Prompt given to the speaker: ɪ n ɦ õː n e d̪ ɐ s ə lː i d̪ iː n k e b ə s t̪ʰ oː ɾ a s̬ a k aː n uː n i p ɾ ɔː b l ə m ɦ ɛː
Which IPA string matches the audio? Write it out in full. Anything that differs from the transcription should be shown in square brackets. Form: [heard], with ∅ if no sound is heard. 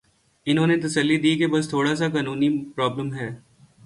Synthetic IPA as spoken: ɪ n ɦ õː n e [t̪] ɐ s ə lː i d̪ iː [∅] k e b [ɐ] s t̪ʰ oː [ɽ] a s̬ a k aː n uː n i p ɾ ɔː b l ə m ɦ ɛː